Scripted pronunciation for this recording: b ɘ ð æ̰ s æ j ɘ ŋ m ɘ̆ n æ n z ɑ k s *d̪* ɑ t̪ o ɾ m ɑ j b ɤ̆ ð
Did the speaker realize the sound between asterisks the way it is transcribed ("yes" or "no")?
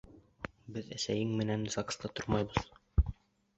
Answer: no